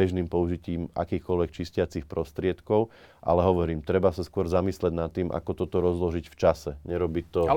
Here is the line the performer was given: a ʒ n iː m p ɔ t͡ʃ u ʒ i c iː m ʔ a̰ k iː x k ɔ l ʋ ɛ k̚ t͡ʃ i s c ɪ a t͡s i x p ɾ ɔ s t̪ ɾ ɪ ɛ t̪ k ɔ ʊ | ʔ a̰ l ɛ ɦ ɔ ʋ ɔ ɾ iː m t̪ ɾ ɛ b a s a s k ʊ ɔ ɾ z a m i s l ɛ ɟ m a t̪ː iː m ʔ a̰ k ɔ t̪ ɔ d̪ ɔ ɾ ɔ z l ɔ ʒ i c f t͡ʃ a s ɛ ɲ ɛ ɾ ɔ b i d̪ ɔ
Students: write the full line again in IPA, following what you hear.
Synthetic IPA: ɛ ʒ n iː m p ɔ u ʒ i c iː m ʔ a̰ k iː x k ɔ l ʋ ɛ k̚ t͡ʃ i s c ɪ a t͡s i x p ɾ ɔ s t̪ ɾ ɪ ɛ t̪ k ɔ ʊ | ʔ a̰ l ɛ ɦ ɔ ʋ ɔ ɾ iː m t̪ ɾ ɛ b a s a s k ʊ ɔ ɾ z a m i s l ɛ ɟ n a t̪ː iː m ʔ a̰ k ɔ t̪ ɔ t̪ ɔ ɾ ɔ z l ɔ ʒ i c f t͡ʃ a s ɛ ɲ ɛ ɾ ɔ b i t̪ ɔ